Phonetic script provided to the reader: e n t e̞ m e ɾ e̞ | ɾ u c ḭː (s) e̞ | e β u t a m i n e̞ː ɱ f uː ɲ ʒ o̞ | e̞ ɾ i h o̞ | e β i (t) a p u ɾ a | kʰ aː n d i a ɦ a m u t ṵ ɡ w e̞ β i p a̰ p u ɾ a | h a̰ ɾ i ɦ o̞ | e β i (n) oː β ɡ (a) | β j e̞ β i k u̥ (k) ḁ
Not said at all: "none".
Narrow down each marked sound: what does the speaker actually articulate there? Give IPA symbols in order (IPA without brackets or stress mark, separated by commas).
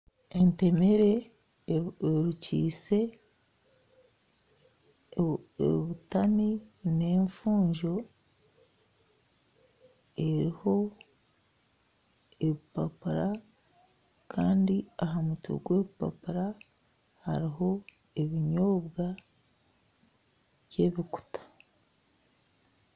s, p, ɲ, a, t